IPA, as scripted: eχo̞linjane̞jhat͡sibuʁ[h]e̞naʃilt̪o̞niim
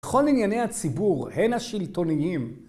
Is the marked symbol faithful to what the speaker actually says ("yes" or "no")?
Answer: yes